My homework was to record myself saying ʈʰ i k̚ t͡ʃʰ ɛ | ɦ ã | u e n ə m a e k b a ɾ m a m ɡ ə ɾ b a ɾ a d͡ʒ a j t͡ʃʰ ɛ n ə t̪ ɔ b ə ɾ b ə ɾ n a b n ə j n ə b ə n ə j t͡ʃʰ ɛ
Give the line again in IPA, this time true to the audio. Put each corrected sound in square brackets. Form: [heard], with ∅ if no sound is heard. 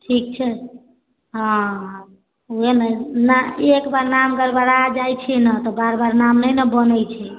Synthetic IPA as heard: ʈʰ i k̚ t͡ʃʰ ɛ | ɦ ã | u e n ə [n] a e k b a ɾ [n] a m ɡ ə ɾ b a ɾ a d͡ʒ a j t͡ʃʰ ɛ n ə t̪ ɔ b [a] ɾ b [a] ɾ n a [m] n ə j n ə b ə n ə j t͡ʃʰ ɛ